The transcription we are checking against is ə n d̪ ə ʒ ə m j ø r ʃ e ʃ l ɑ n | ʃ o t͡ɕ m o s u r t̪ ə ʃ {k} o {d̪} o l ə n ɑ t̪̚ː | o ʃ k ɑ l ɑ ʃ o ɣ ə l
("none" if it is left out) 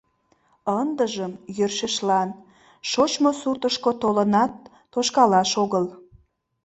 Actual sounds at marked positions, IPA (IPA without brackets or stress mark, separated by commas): k, t̪